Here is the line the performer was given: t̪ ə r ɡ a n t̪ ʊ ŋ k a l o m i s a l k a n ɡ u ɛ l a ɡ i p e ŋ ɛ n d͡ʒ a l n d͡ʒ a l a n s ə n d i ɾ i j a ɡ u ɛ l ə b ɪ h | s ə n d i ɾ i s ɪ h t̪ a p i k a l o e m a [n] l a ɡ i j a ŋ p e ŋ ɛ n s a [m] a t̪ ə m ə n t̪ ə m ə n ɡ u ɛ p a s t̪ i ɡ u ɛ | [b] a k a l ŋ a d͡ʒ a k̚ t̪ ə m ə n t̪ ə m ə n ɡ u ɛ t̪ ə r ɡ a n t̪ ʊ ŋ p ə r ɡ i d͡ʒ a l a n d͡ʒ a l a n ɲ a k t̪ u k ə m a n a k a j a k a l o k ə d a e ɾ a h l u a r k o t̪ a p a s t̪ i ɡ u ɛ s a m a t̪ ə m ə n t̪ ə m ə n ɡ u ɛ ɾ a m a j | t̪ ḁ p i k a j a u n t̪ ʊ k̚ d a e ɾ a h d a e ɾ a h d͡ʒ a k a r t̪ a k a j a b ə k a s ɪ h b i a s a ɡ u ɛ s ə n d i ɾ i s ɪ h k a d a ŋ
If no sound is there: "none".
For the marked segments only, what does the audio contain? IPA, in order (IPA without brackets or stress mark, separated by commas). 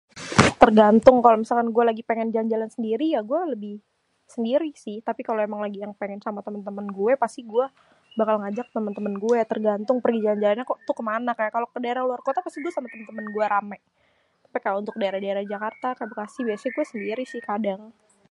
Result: ŋ, m, b